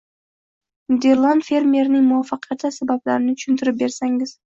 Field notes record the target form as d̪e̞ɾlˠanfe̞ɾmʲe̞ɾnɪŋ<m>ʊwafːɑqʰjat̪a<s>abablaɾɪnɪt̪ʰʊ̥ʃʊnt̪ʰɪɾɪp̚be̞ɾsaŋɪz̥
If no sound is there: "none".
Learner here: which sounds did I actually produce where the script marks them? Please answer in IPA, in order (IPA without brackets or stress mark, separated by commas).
m, s